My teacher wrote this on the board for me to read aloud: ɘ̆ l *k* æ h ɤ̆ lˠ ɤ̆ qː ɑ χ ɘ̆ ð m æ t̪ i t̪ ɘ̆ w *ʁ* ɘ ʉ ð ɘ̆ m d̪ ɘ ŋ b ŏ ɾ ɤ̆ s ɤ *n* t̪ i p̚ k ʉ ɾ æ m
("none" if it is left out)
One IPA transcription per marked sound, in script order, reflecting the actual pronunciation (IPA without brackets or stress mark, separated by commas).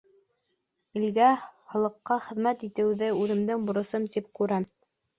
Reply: ɡ, ð, m